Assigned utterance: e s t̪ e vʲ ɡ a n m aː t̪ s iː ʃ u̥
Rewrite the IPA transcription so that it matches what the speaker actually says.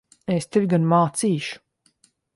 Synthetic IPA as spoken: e s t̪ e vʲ ɡ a n m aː t̪ s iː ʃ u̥